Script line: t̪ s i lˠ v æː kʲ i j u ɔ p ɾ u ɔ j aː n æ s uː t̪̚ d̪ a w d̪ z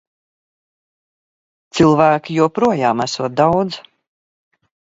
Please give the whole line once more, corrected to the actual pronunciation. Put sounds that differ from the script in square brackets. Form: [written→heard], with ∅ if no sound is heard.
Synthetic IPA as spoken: t̪ s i lˠ v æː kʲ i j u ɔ p ɾ u ɔ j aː [n→m] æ s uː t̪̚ d̪ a w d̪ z